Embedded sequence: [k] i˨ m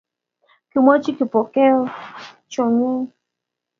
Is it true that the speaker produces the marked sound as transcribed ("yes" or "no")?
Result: yes